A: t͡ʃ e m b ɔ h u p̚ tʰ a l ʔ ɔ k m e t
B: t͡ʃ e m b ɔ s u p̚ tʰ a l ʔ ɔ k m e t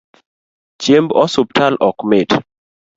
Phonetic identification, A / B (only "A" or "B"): B